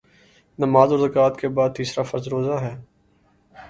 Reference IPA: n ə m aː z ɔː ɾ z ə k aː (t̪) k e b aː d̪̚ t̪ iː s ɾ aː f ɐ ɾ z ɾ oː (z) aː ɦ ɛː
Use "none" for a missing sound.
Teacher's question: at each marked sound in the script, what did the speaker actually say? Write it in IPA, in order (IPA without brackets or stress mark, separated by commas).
t̪, z